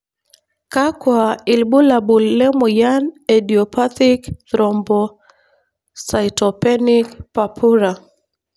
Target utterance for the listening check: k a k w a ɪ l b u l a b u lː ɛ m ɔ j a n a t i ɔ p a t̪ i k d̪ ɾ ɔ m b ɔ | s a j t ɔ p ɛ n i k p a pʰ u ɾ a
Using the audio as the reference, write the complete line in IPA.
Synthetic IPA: k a k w a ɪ l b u l a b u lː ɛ m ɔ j a n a d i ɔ p a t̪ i k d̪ ɾ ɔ m b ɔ | s a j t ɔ p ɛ n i k p a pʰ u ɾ a